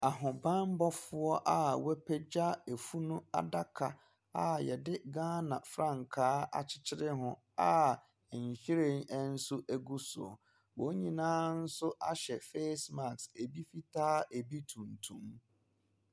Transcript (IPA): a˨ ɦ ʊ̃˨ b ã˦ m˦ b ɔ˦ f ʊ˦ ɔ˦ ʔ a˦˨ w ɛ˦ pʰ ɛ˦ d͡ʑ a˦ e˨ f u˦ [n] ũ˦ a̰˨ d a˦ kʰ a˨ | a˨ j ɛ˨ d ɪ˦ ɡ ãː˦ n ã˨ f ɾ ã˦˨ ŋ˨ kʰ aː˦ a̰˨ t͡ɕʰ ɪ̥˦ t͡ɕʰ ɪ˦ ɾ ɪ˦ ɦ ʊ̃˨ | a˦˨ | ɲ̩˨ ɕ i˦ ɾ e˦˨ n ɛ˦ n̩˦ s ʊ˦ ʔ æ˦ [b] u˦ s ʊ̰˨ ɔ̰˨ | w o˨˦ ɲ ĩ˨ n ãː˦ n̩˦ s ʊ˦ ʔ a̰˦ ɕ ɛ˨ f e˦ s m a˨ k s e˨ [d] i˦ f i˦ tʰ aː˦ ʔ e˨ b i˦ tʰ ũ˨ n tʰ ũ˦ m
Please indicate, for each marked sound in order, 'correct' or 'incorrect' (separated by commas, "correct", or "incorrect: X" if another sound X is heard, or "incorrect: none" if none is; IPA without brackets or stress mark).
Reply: correct, incorrect: ɡ, incorrect: b